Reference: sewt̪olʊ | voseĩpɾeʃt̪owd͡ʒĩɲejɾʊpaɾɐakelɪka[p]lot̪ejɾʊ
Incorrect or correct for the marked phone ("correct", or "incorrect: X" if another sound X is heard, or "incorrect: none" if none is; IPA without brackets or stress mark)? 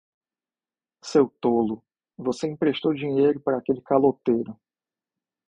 incorrect: none